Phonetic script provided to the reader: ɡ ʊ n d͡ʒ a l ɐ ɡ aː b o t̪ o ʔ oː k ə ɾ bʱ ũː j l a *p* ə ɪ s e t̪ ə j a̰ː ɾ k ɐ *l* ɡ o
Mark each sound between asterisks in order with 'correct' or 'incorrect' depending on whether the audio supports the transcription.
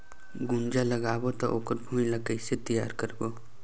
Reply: incorrect, incorrect

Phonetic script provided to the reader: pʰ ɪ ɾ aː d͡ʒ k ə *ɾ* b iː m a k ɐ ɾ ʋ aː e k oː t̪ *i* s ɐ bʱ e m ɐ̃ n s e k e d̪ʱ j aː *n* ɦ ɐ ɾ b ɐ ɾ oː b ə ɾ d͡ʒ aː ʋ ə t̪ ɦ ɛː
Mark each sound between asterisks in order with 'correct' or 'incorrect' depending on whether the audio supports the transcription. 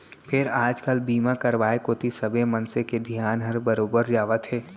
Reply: incorrect, correct, correct

